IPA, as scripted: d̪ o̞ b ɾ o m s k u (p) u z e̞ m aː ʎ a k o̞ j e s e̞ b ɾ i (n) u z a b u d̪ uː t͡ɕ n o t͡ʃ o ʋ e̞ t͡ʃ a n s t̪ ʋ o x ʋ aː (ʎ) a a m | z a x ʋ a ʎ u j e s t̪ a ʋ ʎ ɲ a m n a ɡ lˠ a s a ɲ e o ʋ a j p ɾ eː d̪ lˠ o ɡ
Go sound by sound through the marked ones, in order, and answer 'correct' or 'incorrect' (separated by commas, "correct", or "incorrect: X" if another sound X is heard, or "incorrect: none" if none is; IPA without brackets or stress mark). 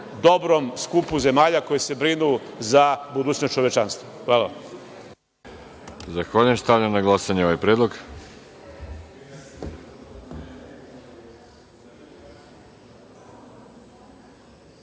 correct, correct, incorrect: l